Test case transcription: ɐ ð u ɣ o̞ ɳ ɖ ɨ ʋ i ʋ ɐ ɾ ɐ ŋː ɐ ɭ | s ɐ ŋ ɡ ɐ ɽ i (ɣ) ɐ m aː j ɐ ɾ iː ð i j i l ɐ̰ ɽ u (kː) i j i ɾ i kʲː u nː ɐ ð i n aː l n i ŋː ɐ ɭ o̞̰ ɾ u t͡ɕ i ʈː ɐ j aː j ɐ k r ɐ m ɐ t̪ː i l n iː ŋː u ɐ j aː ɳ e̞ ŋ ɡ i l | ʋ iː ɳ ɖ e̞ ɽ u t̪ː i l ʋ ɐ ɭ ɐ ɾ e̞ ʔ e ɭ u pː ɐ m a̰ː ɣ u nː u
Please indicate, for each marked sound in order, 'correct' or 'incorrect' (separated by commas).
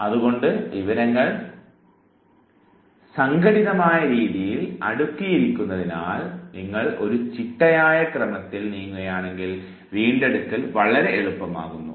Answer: incorrect, correct